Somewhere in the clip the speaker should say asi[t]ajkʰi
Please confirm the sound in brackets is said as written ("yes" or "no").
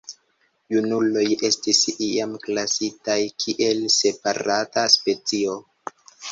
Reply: yes